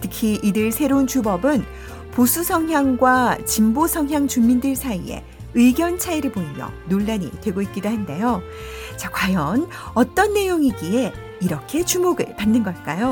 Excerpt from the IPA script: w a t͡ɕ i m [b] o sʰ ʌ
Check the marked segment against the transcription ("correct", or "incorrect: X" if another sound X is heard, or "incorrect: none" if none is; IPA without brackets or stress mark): correct